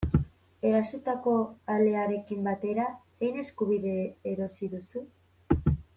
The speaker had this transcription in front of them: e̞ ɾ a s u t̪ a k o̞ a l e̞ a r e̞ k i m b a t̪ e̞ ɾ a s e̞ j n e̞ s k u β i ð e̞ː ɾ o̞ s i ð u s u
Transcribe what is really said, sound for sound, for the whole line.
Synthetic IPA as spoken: e̞ ɾ a s u t̪ a k o̞ a l e̞ a ɾ e̞ k i m b a t̪ e̞ ɾ a s e̞ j n e̞ s k u β i ð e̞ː ɾ o̞ s i ð u s u